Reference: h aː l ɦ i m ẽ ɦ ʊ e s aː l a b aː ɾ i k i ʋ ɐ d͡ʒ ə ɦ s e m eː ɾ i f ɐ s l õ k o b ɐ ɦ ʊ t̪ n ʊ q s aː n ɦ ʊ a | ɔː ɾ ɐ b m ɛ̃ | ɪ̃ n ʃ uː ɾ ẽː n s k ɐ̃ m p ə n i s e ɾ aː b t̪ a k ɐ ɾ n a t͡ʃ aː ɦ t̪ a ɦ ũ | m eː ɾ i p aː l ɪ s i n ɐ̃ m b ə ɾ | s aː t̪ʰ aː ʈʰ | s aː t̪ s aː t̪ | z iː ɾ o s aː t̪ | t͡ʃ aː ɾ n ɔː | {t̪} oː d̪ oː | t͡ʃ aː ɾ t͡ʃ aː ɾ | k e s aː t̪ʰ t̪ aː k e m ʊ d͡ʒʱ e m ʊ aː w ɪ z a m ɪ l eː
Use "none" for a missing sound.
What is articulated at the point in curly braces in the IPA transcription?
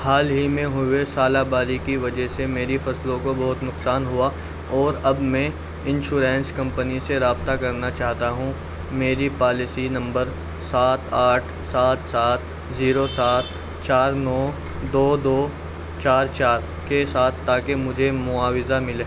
d̪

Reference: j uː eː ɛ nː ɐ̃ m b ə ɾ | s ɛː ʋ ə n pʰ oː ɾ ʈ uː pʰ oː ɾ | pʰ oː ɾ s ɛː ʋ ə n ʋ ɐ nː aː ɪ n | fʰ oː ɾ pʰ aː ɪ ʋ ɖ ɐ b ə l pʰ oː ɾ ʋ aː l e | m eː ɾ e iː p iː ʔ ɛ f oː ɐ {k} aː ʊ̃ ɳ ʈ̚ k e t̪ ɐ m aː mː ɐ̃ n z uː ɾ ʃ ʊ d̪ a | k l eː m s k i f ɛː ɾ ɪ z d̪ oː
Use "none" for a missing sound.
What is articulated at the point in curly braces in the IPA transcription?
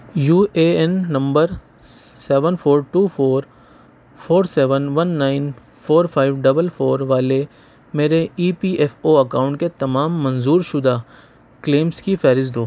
k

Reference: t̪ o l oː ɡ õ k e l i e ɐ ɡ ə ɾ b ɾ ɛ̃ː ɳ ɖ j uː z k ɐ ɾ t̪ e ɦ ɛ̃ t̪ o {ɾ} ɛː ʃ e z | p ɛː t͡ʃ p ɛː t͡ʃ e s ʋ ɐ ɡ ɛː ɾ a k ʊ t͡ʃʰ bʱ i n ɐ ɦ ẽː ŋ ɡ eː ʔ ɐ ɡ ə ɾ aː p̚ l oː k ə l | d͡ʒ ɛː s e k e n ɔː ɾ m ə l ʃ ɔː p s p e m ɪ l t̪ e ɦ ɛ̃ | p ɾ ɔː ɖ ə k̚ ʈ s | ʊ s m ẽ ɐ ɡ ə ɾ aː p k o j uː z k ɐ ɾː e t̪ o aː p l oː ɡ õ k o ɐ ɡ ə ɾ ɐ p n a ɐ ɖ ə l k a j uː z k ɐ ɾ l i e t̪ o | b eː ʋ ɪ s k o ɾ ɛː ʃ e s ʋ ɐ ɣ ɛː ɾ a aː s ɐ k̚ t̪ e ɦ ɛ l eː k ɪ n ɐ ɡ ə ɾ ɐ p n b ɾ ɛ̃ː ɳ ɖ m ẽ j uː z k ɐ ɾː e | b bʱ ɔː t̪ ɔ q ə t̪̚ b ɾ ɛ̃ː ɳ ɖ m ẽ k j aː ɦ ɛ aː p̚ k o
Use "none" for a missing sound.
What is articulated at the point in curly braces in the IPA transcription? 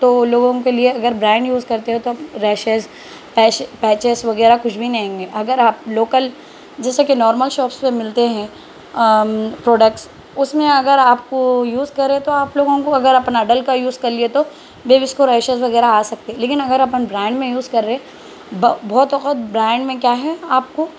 ɾ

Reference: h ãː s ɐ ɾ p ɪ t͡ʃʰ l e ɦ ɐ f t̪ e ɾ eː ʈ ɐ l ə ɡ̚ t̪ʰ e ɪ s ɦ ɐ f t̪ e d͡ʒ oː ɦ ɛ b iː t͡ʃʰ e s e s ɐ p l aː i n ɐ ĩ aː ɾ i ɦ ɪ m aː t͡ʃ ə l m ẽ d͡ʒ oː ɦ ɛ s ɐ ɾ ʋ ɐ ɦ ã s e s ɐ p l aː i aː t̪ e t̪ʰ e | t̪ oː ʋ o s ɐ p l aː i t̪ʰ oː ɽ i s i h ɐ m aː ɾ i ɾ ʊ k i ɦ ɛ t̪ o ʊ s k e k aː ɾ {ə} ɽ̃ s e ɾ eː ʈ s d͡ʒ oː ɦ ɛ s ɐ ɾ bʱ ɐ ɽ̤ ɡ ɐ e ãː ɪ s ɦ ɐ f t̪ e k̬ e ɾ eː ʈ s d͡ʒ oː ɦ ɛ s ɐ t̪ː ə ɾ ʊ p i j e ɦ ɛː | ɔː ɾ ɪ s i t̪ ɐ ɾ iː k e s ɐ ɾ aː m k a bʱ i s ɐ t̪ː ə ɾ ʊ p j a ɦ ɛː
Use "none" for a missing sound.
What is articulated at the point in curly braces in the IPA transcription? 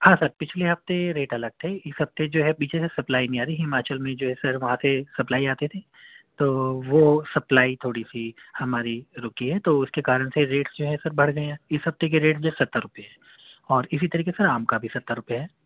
ə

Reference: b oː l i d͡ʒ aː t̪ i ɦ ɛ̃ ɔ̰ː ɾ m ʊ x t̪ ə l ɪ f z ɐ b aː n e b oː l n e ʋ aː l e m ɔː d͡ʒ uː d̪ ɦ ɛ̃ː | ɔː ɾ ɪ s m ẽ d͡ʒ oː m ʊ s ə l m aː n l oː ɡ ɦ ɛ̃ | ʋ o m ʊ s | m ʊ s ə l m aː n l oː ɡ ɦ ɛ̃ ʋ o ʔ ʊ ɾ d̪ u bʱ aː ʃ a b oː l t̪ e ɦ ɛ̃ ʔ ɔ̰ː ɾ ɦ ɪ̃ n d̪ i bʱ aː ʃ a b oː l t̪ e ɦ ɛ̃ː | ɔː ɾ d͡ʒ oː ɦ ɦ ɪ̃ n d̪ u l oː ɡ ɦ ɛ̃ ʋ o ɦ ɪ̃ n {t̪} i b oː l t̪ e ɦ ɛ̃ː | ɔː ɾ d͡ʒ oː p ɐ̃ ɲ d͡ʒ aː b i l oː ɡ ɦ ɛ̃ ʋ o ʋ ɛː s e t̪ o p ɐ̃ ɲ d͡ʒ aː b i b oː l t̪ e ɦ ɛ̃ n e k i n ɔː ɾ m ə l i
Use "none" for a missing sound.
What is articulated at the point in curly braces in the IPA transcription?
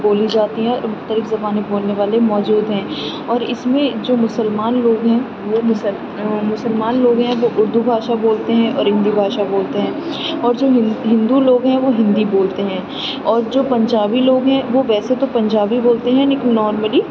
d̪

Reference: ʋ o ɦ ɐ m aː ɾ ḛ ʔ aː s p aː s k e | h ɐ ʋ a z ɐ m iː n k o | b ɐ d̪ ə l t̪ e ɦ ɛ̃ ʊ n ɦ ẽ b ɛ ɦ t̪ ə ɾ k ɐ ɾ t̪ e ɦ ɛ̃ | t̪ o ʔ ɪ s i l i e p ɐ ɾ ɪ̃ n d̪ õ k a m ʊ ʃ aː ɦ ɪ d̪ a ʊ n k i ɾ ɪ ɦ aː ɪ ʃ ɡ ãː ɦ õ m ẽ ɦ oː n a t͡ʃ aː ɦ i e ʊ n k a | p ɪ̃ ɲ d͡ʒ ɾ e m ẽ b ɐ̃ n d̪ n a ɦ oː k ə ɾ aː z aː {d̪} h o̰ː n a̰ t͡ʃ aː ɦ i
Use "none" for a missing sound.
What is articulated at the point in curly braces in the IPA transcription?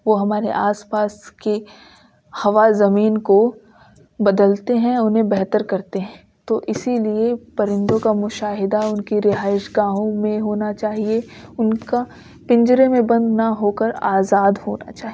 d̪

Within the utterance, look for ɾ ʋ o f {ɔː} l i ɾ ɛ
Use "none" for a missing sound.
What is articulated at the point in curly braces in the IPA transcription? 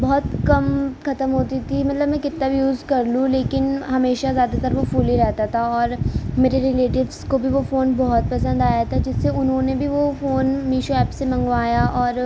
uː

